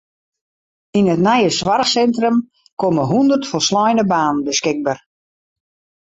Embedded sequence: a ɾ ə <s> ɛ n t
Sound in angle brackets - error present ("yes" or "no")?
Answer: no